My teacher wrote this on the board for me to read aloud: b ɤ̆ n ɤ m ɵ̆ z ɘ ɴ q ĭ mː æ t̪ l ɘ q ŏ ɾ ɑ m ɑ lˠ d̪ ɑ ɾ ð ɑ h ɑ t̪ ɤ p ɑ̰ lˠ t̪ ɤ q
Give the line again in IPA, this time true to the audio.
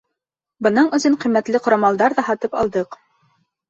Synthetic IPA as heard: b ɤ̆ n ɤ ɴ ɵ̆ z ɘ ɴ q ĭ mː æ t̪ l ɘ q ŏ ɾ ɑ m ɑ lˠ d̪ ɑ ɾ ð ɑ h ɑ t̪ ɤ p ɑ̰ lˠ d̪ ɤ q